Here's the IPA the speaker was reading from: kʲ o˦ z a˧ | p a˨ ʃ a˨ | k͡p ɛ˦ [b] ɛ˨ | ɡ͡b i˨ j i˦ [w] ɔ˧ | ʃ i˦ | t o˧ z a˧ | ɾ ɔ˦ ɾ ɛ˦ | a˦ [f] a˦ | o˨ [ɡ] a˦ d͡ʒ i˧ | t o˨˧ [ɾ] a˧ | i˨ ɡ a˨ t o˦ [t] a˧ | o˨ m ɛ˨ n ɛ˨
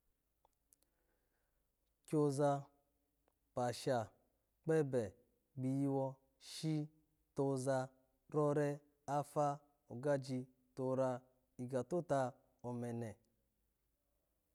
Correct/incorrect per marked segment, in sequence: correct, correct, correct, correct, correct, correct

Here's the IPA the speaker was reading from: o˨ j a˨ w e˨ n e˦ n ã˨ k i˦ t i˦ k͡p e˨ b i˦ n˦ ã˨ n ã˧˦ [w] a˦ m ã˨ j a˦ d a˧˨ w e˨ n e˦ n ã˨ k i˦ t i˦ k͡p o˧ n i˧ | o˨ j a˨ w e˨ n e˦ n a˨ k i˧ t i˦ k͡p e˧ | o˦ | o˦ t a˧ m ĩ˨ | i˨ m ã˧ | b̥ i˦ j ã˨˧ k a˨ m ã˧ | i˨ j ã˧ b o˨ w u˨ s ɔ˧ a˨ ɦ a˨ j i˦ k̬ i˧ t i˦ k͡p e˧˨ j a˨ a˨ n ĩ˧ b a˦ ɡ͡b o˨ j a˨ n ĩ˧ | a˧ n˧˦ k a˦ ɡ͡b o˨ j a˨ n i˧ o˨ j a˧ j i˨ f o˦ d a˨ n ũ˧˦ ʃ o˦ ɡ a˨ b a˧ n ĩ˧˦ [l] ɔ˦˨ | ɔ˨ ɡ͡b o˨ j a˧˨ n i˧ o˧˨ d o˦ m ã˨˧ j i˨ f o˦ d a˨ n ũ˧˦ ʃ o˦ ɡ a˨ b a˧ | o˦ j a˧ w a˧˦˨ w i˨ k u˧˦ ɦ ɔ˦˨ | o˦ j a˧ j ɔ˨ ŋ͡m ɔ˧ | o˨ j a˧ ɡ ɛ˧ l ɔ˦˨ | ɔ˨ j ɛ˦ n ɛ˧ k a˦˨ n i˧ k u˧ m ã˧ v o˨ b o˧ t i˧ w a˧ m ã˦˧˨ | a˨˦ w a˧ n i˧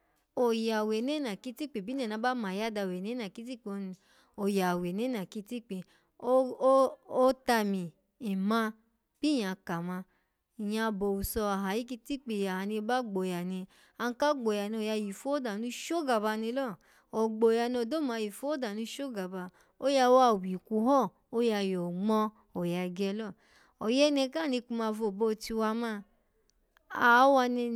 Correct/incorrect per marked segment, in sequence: incorrect, correct

